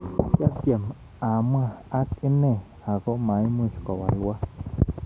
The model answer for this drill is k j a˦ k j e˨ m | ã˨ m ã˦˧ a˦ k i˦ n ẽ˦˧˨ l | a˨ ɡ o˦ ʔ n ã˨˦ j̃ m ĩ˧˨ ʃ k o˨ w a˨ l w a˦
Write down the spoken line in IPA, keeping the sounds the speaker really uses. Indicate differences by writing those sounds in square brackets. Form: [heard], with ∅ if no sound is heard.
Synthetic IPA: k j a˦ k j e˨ m | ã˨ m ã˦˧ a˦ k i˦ n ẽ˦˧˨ [∅] | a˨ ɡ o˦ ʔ [m] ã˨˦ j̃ m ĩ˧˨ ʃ k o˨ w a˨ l w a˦